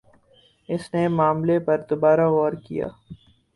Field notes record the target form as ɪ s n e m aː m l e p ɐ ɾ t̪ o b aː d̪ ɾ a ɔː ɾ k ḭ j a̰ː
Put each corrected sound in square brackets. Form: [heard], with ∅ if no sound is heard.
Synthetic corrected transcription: ɪ s n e m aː m l e p ɐ ɾ [d̪] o b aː [∅] ɾ a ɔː ɾ k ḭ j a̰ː